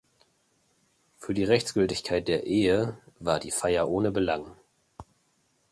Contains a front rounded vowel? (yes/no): yes